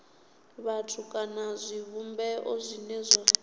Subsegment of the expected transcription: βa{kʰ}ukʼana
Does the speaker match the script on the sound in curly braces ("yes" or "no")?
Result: no